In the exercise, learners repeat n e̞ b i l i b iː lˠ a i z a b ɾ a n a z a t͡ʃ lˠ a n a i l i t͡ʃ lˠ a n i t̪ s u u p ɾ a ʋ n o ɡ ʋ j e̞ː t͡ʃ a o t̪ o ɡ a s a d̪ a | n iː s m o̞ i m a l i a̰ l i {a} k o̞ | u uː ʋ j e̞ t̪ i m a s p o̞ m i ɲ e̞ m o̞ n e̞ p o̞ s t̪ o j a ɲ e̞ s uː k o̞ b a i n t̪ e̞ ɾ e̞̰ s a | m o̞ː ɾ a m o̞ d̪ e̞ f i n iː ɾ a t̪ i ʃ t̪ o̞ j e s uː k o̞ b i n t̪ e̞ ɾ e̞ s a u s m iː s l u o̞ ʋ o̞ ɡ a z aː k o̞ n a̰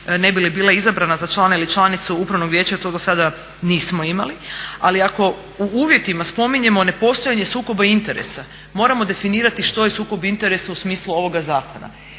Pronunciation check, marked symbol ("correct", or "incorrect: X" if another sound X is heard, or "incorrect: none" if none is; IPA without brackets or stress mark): correct